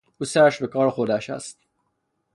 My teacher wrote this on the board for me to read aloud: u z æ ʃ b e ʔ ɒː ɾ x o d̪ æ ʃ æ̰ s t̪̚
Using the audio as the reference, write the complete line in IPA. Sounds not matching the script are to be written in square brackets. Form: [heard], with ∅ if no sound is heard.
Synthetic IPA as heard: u [s] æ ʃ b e [k] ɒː ɾ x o d̪ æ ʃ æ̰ s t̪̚